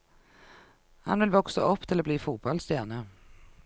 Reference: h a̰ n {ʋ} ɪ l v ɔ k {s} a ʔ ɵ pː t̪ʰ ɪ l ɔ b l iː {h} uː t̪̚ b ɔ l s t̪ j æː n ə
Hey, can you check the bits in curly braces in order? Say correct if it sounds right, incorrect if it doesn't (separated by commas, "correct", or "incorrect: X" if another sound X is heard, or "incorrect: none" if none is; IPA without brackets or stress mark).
incorrect: v, correct, incorrect: f